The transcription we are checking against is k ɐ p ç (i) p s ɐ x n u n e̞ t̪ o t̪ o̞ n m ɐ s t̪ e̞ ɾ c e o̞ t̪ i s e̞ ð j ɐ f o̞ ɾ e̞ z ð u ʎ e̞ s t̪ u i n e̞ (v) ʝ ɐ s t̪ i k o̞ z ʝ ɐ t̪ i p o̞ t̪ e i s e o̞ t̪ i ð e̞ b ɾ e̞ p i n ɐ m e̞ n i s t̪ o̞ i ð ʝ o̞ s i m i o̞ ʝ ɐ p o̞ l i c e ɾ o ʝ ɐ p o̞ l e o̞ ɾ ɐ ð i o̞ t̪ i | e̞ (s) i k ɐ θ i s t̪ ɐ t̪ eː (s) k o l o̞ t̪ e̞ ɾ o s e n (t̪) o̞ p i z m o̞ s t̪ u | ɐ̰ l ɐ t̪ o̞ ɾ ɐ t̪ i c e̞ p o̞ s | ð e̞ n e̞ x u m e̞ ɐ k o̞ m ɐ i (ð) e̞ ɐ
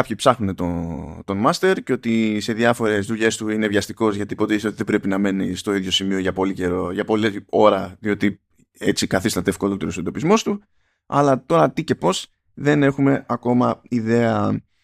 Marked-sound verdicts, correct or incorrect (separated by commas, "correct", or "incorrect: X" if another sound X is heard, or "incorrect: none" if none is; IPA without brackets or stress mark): correct, correct, incorrect: t͡s, incorrect: f, incorrect: d̪, correct